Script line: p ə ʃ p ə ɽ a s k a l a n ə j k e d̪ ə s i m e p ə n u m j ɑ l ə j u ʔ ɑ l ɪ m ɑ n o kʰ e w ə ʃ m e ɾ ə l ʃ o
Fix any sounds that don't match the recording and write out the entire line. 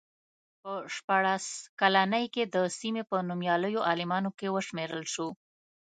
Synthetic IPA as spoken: p ə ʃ p ɑ ɽ a s k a l a n ə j k e d̪ ə s i m e p ə n u m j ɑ l ə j o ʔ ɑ l ɪ m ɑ n o k e w ə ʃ m e ɾ ə l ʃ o